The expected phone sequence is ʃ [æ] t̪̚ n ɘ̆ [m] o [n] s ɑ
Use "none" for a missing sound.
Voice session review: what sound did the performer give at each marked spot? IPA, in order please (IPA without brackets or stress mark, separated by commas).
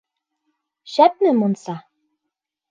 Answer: æ, m, n